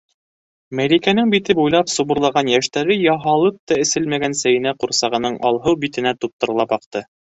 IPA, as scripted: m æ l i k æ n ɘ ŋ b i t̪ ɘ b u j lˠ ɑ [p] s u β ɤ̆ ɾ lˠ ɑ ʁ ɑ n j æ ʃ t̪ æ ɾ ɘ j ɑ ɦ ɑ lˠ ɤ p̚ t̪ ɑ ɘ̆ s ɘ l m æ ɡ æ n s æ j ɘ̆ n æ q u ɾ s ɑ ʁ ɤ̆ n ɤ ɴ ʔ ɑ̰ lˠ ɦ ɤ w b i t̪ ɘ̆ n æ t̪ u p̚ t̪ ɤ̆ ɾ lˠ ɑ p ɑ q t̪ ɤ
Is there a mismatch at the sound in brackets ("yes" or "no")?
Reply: no